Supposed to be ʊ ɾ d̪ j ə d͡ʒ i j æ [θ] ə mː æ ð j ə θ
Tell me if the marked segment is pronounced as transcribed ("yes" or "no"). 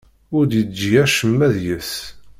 no